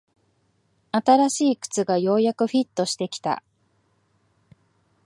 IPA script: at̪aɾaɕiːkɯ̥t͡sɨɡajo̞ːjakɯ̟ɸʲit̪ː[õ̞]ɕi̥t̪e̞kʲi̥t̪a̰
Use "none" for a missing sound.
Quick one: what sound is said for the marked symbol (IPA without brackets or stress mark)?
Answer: o̞